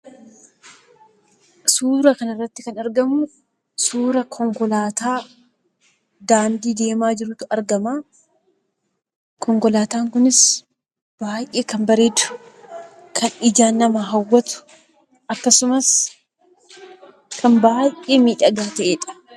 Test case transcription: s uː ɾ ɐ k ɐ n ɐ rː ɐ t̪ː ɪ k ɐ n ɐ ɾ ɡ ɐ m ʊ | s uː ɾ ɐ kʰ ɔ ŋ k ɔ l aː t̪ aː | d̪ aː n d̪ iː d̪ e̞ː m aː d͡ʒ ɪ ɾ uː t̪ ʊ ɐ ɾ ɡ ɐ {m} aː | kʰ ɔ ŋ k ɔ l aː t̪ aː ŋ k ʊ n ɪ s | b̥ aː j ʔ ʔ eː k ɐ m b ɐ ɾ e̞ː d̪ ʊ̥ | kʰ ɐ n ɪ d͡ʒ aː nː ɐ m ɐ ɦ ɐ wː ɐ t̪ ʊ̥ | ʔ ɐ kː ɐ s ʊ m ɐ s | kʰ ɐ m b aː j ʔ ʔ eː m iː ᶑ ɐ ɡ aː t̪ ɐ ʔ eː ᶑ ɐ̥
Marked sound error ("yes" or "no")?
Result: no